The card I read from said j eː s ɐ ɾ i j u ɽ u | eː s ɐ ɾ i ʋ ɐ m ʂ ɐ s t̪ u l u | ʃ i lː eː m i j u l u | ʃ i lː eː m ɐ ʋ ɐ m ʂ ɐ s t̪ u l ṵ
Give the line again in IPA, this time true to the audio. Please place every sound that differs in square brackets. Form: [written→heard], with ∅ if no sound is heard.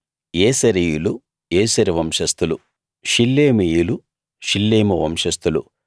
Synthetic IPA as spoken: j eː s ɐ ɾ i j u [ɽ→l] u | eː s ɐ ɾ i ʋ ɐ m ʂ ɐ s t̪ u l u | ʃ i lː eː m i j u l u | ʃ i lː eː m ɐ ʋ ɐ m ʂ ɐ s t̪ u l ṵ